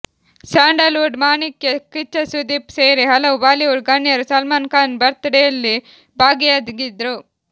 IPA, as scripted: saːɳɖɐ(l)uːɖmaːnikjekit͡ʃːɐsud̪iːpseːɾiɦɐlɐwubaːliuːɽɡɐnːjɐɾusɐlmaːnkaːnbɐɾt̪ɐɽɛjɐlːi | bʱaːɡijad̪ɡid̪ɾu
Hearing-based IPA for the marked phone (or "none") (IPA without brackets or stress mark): l